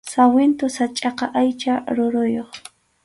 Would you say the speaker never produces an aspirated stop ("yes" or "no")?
yes